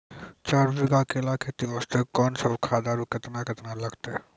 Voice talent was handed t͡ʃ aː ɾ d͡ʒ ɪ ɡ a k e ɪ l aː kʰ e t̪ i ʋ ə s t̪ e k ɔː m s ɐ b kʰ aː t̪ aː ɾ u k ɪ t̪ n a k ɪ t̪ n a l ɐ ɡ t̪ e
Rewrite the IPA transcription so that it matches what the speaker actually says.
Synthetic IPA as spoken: t͡ʃ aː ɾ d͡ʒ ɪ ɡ a k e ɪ l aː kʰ e t̪ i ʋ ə s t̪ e k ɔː n s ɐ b kʰ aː d̪ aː ɾ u k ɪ t̪ n a k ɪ t̪ n a l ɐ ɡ t̪ e